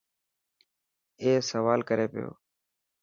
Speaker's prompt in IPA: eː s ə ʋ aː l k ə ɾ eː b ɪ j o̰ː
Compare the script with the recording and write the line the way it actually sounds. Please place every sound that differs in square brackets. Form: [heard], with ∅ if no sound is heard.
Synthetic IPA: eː s ə ʋ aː l k ə ɾ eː [p] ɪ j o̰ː